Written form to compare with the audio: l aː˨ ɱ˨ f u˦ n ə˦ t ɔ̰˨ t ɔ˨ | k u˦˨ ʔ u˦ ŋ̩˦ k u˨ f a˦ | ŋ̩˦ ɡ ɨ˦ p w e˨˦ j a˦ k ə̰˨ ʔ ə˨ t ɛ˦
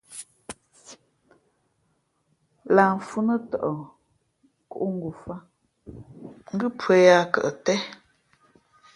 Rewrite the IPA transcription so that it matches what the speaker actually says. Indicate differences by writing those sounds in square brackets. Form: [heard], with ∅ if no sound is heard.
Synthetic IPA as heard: l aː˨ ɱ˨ f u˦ n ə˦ t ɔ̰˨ [ʔ] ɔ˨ | k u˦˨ ʔ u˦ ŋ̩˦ [ɡ] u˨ f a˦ | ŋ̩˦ ɡ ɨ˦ p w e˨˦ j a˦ k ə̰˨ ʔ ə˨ t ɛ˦

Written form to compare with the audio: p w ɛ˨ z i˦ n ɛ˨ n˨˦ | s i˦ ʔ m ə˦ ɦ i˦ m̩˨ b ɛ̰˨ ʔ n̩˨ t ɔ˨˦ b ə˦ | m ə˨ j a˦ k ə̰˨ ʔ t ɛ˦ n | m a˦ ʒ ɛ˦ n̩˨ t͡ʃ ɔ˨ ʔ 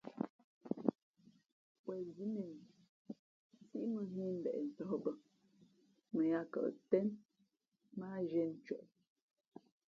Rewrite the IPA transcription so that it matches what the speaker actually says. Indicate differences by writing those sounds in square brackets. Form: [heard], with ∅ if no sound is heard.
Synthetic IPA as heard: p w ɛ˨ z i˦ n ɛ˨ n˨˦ | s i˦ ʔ m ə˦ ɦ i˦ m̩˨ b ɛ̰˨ ʔ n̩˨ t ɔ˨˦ b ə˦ | m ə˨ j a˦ k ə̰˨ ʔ t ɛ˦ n | m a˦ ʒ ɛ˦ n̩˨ t͡ʃ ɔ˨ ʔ

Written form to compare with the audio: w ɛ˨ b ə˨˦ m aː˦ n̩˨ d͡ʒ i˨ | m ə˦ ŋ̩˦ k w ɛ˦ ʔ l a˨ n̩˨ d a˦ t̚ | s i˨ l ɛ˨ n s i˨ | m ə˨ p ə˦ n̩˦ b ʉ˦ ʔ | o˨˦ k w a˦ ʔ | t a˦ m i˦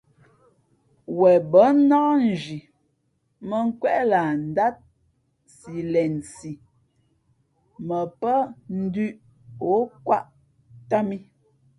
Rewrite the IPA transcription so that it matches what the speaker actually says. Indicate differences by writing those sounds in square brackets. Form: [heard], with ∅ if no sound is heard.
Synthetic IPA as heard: w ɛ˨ b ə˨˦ [n] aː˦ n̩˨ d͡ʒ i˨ | m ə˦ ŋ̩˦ k w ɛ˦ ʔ l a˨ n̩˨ d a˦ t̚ | s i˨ l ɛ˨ n s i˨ | m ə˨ p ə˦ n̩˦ [d] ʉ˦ ʔ | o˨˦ k w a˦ ʔ | t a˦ m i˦

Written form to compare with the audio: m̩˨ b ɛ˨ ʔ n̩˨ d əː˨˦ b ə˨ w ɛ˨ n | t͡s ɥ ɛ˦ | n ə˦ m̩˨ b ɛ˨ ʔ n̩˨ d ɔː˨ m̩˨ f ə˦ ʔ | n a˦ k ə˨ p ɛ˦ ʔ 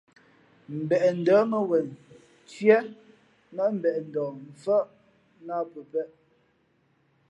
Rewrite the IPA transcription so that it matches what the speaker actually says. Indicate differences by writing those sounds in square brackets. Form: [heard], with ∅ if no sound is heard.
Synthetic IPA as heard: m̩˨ b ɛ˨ ʔ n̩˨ d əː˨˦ [m] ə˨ w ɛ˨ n | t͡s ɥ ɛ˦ | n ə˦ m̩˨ b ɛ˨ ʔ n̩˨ d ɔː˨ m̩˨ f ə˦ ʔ | n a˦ [p] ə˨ p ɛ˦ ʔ

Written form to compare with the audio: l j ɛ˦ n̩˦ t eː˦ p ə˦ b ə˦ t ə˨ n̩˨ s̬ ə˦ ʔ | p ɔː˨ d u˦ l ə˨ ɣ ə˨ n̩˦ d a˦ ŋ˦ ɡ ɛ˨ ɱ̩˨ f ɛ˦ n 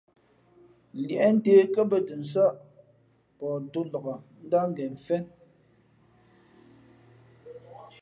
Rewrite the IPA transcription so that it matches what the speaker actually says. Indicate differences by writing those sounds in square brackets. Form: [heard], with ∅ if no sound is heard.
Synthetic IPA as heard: l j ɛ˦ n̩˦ t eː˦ [k] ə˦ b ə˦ t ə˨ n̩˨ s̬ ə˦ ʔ | p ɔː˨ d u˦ l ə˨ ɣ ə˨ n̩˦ d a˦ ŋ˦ ɡ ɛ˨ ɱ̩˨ f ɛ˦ n

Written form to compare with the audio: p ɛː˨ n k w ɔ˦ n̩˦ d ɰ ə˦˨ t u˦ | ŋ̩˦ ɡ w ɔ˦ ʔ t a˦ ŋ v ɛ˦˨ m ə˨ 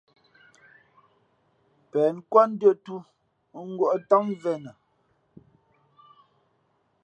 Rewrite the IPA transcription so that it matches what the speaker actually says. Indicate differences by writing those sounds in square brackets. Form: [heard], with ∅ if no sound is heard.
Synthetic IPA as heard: p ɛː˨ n k w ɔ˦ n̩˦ d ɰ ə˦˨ t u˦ | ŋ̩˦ ɡ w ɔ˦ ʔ t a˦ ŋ v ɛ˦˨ [n] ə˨

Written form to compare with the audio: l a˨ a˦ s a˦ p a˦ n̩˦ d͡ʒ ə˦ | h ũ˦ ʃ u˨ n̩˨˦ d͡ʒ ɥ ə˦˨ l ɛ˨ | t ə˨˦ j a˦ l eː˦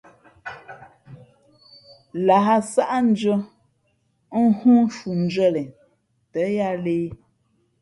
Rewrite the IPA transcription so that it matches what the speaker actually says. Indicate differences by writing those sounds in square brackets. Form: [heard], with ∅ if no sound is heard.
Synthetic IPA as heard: l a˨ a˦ s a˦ [ʔ] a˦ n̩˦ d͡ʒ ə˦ | h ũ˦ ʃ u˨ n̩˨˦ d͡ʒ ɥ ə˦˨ l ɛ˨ | t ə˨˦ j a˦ l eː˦

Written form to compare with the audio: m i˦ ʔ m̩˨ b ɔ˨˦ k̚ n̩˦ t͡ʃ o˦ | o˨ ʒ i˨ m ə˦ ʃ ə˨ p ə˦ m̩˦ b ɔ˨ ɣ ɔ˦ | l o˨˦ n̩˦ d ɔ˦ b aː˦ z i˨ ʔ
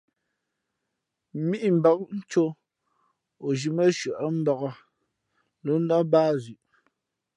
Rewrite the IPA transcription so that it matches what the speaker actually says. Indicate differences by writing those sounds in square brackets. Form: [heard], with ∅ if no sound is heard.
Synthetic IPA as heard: m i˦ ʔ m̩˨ b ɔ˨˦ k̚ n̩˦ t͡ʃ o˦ | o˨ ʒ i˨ m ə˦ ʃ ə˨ [ʔ] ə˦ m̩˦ b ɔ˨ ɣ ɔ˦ | l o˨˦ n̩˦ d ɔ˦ b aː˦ z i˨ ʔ

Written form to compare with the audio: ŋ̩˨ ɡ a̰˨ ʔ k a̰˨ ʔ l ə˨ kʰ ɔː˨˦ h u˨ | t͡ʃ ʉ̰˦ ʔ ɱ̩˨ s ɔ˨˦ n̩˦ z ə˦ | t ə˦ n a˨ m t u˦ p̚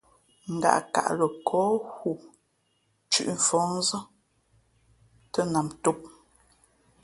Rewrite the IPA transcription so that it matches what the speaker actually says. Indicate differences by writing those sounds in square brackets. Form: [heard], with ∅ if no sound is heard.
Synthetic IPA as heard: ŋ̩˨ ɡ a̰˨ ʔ k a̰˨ ʔ l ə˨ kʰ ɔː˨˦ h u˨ | t͡ʃ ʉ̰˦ ʔ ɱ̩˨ [f] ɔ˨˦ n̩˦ z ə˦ | t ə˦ n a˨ m t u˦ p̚

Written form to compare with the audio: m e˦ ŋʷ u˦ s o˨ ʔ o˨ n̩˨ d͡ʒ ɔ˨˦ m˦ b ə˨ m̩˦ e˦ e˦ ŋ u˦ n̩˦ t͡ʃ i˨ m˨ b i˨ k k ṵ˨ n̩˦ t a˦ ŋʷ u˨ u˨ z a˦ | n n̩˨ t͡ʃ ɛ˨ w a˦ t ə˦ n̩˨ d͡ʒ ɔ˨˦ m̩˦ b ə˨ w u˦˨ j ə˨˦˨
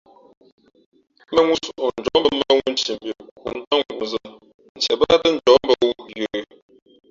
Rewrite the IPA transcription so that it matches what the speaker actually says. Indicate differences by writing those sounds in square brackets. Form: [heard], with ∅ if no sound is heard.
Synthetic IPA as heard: m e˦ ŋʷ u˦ s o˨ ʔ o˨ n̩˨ d͡ʒ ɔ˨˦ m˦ b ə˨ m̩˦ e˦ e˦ ŋ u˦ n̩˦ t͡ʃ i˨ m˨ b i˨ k k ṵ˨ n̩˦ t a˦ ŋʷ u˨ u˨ z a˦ | n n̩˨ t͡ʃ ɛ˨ [b] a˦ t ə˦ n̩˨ d͡ʒ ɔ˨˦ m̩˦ b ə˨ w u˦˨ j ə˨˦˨

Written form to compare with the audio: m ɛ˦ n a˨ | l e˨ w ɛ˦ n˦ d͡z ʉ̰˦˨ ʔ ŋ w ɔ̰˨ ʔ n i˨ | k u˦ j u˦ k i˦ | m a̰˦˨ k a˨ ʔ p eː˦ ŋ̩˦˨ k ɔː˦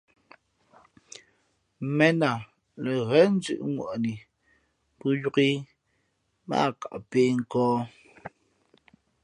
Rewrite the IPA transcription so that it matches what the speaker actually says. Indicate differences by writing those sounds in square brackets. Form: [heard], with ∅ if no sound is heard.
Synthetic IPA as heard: m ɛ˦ n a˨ | l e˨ [ɣ] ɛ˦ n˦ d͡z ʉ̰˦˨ ʔ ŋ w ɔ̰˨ ʔ n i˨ | [p] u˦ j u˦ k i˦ | m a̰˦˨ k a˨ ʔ p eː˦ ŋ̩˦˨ k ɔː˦

